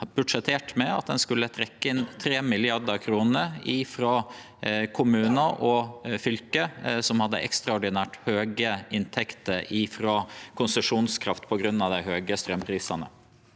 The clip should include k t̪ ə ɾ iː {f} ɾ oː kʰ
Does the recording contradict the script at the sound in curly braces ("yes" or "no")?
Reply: no